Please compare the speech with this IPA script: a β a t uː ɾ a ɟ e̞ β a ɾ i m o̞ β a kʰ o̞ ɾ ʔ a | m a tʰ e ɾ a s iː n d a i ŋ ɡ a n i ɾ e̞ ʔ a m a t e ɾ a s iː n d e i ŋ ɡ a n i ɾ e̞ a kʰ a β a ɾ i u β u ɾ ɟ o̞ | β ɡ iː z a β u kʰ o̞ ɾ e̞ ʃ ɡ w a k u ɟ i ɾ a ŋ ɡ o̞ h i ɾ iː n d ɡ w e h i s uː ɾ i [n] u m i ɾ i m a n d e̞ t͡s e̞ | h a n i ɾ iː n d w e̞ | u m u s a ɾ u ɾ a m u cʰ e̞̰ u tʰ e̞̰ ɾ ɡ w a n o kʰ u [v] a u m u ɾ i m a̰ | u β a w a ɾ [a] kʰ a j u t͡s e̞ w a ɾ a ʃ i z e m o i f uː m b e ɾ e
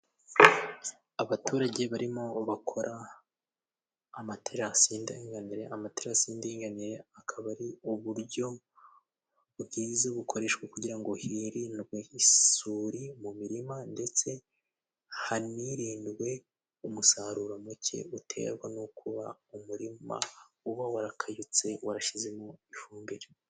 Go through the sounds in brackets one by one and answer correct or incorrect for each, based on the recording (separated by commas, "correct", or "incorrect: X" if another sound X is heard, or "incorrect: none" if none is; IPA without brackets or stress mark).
incorrect: m, incorrect: β, correct